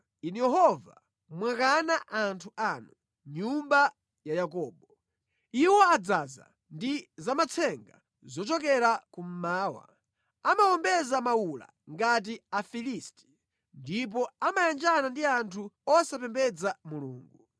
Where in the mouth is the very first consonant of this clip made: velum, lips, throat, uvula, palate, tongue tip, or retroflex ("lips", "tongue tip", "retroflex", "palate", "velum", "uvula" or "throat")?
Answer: tongue tip